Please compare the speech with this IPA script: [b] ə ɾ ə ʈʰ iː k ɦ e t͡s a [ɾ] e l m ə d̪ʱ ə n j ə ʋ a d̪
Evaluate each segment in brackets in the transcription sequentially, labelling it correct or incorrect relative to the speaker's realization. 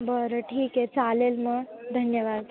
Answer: correct, incorrect: l

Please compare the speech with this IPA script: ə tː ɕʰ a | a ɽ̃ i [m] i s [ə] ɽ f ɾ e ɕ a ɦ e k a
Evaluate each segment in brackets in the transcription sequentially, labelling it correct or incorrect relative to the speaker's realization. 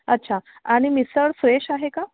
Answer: correct, correct

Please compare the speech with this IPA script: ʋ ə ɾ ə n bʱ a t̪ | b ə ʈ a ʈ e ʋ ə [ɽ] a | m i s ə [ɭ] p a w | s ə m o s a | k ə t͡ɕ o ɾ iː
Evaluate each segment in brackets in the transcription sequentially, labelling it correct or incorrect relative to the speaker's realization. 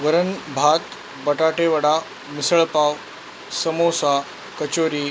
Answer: correct, correct

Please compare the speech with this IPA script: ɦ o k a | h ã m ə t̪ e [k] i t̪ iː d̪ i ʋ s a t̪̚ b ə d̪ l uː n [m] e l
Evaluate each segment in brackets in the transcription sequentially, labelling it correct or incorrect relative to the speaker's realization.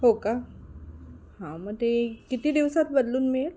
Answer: correct, correct

